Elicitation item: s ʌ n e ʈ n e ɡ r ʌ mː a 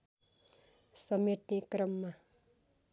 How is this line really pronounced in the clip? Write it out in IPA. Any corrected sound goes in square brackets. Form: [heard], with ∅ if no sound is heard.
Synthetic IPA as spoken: s ʌ [m] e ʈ n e [k] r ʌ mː a